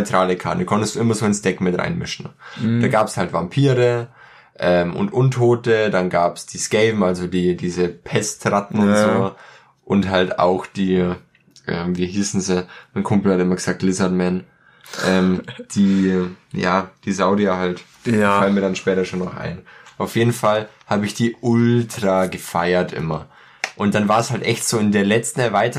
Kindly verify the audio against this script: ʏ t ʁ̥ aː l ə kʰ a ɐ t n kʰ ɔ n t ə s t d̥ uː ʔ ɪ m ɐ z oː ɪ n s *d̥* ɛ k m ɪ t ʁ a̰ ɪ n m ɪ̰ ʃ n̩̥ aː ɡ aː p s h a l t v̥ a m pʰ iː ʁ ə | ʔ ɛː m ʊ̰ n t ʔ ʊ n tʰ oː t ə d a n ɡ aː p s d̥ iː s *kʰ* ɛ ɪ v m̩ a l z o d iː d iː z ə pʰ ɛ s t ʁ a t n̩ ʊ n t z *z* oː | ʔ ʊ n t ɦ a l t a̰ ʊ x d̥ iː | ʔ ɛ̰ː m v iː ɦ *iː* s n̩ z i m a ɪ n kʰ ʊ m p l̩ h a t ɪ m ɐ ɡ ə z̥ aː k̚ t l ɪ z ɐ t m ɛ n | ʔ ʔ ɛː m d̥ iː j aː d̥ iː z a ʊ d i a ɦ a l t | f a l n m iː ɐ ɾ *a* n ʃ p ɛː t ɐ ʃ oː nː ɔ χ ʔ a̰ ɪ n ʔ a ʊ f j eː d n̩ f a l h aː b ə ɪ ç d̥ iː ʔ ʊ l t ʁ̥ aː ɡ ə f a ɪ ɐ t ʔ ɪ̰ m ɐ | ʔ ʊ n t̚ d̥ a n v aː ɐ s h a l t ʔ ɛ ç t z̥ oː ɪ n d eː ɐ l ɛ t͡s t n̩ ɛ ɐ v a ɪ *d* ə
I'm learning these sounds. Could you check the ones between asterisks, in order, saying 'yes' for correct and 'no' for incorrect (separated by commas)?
yes, no, yes, yes, yes, no